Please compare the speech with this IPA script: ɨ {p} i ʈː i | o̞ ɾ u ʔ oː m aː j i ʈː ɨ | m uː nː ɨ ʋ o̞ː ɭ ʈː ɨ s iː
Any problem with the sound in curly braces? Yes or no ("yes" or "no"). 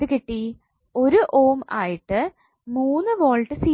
yes